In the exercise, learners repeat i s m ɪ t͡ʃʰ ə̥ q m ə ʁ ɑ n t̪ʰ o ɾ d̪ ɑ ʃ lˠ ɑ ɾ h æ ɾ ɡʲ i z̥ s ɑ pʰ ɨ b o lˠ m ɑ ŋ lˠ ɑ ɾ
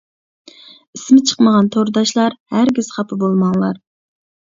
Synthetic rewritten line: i s m ɪ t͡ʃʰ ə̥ q m ə ʁ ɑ n t̪ʰ o ɾ d̪ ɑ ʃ lˠ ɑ ɾ h æ ɾ ɡʲ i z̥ χ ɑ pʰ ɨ b o lˠ m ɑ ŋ lˠ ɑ ɾ

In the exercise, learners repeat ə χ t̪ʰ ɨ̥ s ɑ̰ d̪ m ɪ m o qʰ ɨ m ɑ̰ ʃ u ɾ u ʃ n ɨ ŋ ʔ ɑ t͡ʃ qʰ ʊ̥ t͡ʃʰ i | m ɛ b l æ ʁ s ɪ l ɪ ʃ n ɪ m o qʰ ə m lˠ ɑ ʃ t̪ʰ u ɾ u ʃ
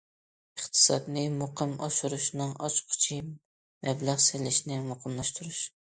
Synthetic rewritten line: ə χ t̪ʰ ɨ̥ s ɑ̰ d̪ n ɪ m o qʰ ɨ m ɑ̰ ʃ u ɾ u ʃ n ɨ ŋ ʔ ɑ t͡ʃ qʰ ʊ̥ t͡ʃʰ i | m ɛ b l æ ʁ s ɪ l ɪ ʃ n ɪ m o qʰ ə m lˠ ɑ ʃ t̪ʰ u ɾ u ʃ

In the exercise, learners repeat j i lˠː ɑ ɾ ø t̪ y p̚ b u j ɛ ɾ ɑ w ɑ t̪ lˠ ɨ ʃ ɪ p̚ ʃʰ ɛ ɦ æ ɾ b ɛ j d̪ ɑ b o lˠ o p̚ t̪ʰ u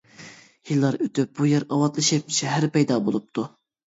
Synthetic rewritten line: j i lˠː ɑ ɾ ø t̪ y p̚ b u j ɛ ɾ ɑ w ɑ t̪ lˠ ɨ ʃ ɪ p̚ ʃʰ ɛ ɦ æ ɾ p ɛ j d̪ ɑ b o lˠ u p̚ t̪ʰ u

